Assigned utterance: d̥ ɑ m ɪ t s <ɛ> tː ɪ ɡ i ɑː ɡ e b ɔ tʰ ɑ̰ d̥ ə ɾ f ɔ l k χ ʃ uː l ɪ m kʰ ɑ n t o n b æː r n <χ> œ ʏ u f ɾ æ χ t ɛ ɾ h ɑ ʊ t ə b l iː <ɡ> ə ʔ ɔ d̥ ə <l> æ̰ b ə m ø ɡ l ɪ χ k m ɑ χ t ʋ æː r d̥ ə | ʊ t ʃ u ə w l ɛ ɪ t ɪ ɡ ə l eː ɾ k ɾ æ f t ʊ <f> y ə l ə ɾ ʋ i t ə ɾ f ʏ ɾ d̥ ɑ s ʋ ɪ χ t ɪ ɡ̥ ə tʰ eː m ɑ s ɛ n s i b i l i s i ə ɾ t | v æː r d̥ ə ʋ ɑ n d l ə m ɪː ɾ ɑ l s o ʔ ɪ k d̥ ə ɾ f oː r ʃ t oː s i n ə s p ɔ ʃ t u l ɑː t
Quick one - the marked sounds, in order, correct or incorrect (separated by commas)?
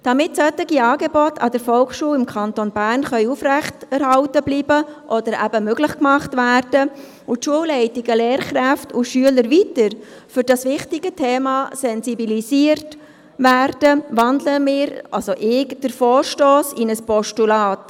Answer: incorrect, correct, incorrect, incorrect, incorrect